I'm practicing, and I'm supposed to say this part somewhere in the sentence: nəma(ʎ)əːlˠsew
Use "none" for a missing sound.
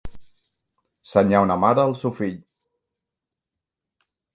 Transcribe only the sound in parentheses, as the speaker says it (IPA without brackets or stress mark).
ɾ